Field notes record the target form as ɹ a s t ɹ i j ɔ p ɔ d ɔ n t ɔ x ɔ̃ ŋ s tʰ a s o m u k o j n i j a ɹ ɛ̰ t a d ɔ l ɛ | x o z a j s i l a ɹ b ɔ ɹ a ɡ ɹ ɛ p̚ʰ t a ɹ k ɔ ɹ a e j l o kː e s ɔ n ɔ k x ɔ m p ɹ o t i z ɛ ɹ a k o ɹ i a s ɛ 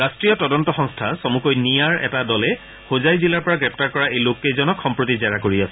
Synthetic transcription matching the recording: ɹ a s t ɹ i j ɔ t ɔ d ɔ n t ɔ x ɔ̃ ŋ s tʰ a s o m u k o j n i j a ɹ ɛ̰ t a d ɔ l ɛ | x o z a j z i l a ɹ p ɔ ɹ a ɡ ɹ ɛ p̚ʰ t a ɹ k ɔ ɹ a e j l o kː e z ɔ n ɔ k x ɔ m p ɹ o t i z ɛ ɹ a k o ɹ i a s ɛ

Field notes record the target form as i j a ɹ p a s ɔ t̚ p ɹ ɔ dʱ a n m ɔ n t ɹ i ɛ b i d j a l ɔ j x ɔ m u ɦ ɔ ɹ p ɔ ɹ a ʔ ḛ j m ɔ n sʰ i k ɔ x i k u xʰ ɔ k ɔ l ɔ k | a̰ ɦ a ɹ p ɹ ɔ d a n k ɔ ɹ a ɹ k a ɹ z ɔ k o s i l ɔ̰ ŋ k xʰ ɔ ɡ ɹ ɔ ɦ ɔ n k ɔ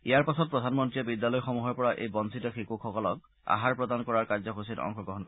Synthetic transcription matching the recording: i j a ɹ p a s ɔ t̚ p ɹ ɔ dʱ a n m ɔ n t ɹ i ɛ b i d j a l ɔ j x ɔ m u ɦ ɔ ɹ p ɔ ɹ a ʔ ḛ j b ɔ n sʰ i t ɔ x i k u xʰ ɔ k ɔ l ɔ k | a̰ ɦ a ɹ p ɹ ɔ d a n k ɔ ɹ a ɹ k a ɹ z ɔ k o s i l ɔ̰ ŋ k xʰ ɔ ɡ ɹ ɔ ɦ ɔ n k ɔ

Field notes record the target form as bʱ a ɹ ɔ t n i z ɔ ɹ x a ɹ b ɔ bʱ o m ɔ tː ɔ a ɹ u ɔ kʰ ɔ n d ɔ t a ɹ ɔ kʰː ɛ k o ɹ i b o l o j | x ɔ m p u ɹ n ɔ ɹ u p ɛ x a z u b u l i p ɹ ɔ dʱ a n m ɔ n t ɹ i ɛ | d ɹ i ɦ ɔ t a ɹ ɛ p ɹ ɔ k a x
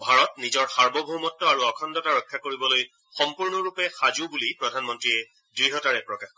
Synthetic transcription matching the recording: bʱ a ɹ ɔ t n i z ɔ ɹ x a ɹ b ɔ bʱ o m ɔ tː ɔ a ɹ u ɔ kʰ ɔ n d ɔ t a ɹ ɔ kʰː a k o ɹ i b ɔ l o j | x ɔ m p u ɹ n ɔ ɹ u p ɛ x a z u b u l i p ɹ ɔ dʱ a n m ɔ n t ɹ i ɛ | d ɹ i ɦ ɔ t a ɹ ɛ p ɹ ɔ k a x

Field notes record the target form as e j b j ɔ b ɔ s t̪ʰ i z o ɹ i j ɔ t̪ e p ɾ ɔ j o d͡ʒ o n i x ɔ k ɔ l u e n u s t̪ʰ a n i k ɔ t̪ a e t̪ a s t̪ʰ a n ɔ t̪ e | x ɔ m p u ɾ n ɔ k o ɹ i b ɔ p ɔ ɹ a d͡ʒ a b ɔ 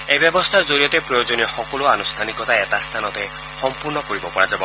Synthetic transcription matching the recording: e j b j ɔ b ɔ s t̪ʰ a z o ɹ i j ɔ t̪ e p ɾ ɔ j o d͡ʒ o n i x ɔ k ɔ l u a n u s t̪ʰ a n i k ɔ t̪ a e t̪ a s t̪ʰ a n ɔ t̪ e | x ɔ m p u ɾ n ɔ k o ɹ i b ɔ p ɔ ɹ a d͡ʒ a b ɔ

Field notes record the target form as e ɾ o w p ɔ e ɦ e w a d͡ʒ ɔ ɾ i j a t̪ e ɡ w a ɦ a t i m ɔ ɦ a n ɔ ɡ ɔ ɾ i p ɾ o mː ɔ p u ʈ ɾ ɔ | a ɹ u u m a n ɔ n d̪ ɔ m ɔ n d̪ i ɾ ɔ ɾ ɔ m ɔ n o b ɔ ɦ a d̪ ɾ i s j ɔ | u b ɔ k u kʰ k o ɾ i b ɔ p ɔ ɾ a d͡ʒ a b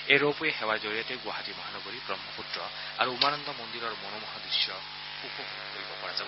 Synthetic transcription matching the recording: e ɾ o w p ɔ e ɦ e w a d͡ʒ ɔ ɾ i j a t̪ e ɡ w a ɦ a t i m ɔ ɦ a n ɔ ɡ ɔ ɾ i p ɾ ɔ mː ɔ p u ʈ ɾ ɔ | a ɾ u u m a n ɔ n d̪ ɔ m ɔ n d̪ i ɾ ɔ ɾ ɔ m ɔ n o m ɔ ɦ a d̪ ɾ i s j ɔ | u p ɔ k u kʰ k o ɾ i b ɔ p ɔ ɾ a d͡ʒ a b

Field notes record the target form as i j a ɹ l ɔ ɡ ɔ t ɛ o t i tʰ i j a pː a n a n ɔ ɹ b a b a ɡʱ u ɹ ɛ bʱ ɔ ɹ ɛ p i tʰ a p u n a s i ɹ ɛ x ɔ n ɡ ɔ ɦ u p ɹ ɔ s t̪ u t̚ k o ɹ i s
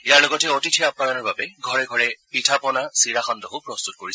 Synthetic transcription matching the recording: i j a ɹ l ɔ ɡ ɔ t ɛ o t i tʰ i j a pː a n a n ɔ ɹ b a b ɛ ɡʱ ɔ ɹ ɛ ɡʱ ɔ ɹ ɛ p i tʰ a p ɔ n a s i ɹ a x ɔ n d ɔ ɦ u p ɹ ɔ s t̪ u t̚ k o ɹ i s

